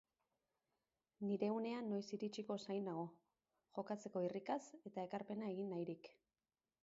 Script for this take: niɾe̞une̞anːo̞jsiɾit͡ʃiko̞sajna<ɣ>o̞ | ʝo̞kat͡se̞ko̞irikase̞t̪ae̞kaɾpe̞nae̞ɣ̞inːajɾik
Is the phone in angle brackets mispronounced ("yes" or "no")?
no